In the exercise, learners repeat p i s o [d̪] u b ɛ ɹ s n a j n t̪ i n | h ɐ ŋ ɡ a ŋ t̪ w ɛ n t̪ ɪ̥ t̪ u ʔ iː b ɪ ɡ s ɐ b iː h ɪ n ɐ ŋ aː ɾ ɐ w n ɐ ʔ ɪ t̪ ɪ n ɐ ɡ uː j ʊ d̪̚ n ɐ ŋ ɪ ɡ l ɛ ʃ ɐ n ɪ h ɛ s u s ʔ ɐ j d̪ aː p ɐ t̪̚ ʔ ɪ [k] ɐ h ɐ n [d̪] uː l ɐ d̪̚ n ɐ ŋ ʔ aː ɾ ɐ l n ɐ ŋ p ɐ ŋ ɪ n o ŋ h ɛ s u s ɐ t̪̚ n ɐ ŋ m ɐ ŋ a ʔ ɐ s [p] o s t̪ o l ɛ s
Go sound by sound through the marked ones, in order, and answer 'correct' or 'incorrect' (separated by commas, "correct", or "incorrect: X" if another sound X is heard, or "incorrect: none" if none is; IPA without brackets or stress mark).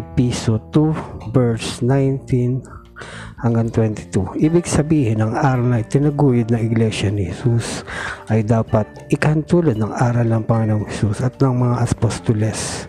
incorrect: t̪, correct, incorrect: t̪, correct